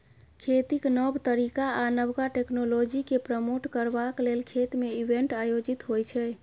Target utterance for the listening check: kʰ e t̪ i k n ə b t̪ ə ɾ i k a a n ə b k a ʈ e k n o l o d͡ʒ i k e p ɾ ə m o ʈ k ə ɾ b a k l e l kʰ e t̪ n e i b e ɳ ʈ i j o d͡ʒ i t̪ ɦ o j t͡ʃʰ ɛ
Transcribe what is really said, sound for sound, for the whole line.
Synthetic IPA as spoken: kʰ e t̪ i k n ə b t̪ ə ɾ i k a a n ə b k a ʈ e k n o l o d͡ʒ i k e p ɾ ə m o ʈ k ə ɾ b a k l e l kʰ e t̪ m e i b e ɳ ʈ a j o d͡ʒ i t̪ ɦ o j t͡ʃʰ ɛ